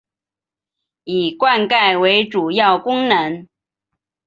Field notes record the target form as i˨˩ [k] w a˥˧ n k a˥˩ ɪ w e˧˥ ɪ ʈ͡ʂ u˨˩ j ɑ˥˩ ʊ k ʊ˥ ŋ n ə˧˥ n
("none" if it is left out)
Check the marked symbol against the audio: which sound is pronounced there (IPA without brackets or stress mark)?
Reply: k